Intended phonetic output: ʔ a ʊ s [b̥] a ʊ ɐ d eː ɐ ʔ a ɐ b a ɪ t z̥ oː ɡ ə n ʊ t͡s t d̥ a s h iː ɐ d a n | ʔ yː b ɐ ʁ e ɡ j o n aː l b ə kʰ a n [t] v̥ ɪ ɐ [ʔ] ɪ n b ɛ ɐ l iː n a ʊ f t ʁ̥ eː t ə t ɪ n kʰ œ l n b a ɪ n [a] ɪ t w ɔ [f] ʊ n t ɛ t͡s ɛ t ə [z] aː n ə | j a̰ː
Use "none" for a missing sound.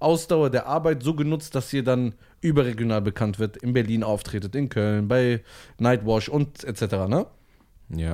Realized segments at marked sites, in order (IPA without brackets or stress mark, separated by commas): d̥, t, t, a, ʃ, ʁ